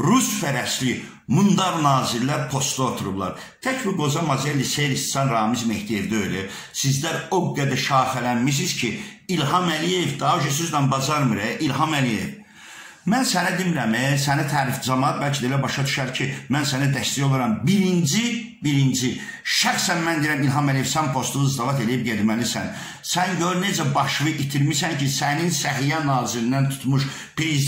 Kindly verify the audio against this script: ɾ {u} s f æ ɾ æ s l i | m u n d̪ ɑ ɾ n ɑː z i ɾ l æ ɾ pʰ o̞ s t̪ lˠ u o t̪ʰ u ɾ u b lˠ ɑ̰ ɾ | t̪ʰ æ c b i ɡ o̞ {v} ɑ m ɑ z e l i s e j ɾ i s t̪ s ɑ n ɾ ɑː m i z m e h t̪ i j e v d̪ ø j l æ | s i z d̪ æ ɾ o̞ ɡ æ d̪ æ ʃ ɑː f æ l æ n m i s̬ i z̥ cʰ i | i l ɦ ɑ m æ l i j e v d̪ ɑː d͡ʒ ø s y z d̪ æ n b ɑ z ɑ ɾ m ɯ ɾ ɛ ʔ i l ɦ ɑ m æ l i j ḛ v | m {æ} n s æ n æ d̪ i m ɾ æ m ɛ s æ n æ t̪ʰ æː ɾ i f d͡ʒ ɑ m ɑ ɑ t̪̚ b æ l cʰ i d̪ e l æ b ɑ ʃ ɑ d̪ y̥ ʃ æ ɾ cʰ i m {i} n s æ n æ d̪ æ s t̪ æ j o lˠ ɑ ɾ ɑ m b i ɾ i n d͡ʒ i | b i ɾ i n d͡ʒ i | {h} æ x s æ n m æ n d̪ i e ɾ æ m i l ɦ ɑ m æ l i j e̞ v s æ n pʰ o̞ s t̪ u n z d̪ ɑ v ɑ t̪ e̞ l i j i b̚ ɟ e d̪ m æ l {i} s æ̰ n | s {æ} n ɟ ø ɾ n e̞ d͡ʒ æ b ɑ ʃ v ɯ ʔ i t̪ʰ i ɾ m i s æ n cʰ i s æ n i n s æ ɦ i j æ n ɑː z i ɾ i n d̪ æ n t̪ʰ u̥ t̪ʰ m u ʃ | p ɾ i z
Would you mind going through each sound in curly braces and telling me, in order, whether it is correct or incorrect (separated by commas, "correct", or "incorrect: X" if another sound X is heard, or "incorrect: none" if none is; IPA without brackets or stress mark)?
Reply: correct, incorrect: z, correct, incorrect: æ, incorrect: ʃ, correct, correct